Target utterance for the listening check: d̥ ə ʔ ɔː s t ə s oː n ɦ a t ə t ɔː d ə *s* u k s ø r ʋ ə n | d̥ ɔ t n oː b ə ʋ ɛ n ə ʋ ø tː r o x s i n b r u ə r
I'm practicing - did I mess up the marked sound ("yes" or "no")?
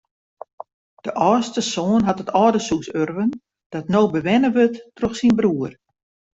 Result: no